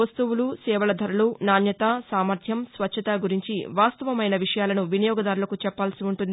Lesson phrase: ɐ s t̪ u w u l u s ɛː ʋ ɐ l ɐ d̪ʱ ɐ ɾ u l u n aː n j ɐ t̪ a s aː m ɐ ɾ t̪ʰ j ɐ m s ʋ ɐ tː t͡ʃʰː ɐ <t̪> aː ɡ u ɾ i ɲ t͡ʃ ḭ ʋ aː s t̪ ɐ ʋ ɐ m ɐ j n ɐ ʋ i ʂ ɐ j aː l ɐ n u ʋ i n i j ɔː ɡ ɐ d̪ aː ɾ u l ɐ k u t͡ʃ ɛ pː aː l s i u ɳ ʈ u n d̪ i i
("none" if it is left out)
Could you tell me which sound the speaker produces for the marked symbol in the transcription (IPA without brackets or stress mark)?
t̪